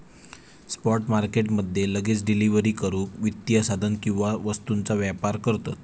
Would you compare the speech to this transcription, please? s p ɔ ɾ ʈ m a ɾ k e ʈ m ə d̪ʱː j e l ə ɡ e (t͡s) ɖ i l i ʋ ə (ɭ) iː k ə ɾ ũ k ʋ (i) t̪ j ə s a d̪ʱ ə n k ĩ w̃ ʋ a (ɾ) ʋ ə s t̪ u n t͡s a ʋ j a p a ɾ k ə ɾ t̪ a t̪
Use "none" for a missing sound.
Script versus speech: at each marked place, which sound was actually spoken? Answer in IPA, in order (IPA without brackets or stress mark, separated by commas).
t͡s, ɾ, i, none